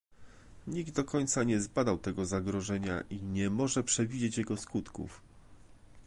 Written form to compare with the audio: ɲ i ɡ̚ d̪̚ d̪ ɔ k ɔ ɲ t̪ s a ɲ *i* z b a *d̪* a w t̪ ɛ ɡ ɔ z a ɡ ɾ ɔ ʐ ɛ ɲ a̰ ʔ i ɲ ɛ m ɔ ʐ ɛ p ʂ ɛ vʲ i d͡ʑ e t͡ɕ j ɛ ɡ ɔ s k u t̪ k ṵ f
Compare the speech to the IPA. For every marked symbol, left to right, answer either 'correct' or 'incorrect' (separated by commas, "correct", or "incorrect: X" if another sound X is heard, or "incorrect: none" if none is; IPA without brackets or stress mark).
incorrect: ɛ, correct